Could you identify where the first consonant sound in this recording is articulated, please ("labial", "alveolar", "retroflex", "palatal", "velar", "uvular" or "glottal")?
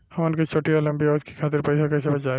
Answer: glottal